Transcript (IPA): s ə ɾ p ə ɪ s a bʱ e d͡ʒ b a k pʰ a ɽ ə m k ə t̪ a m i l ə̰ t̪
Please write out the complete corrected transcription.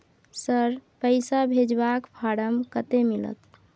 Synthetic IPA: s ə ɾ p ə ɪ s a bʱ e d͡ʒ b a k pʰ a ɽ ə m k ə t̪ e m i l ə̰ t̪